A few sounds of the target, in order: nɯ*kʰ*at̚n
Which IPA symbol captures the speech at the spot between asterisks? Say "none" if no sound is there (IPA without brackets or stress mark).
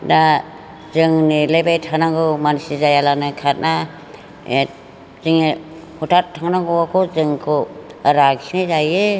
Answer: kʰ